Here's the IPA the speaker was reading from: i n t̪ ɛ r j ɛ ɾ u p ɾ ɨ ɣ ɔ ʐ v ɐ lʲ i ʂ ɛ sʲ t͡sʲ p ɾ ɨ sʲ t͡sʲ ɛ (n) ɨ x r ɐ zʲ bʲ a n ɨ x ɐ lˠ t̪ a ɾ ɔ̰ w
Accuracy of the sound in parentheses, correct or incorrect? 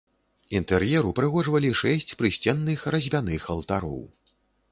incorrect